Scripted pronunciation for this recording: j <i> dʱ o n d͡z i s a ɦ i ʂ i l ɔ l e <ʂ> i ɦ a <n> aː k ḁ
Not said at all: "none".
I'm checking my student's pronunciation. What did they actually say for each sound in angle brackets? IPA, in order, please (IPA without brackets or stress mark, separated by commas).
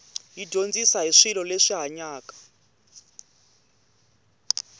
i, ʂ, ɲ